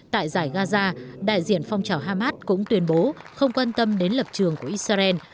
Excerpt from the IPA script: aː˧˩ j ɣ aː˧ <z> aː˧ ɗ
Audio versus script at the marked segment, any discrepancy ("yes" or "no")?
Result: no